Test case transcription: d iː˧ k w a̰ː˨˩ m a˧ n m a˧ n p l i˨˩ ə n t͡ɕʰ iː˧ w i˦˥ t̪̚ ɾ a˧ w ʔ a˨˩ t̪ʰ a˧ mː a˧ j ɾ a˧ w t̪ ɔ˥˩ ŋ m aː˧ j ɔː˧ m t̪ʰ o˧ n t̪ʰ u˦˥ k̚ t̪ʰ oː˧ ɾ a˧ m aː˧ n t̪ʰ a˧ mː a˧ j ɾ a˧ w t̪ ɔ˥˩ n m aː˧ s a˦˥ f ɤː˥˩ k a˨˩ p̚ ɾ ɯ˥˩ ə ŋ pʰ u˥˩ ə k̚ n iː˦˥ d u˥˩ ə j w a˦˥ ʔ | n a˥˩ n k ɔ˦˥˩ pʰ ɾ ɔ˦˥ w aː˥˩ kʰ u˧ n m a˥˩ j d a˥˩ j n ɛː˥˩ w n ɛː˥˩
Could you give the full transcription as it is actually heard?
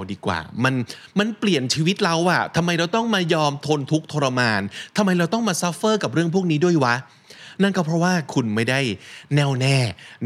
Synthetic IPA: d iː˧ k w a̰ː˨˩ m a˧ n m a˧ n p l i˨˩ ə n t͡ɕʰ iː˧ w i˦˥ t̪̚ ɾ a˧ w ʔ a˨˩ t̪ʰ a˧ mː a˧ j ɾ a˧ w t̪ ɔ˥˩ ŋ m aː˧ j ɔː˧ m t̪ʰ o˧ n t̪ʰ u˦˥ k̚ t̪ʰ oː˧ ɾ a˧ m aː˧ n t̪ʰ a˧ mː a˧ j ɾ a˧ w t̪ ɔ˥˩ ŋ m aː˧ s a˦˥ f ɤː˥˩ k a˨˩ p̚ ɾ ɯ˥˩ ə ŋ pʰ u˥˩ ə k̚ n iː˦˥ d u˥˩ ə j w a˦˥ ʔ | n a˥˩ n k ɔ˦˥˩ pʰ ɾ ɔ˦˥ w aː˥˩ kʰ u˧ n m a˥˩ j d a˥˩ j n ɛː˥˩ w n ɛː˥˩